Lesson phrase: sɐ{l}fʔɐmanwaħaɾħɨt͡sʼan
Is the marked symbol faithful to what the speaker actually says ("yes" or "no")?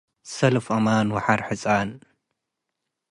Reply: yes